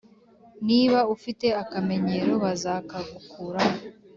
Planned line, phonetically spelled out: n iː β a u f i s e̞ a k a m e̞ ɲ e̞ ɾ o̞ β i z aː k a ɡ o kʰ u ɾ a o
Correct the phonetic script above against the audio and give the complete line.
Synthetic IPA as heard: n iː β a u f i t e̞ a k a m e̞ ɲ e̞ ɾ o̞ β a z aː k a ɡ u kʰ u ɾ a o